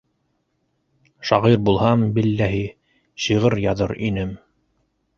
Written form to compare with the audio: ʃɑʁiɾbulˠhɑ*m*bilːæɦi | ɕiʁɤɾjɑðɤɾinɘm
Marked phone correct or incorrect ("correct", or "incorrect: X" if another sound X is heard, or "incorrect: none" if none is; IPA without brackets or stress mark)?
correct